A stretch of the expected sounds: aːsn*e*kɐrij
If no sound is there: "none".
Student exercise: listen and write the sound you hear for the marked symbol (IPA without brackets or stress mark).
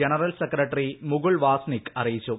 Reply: i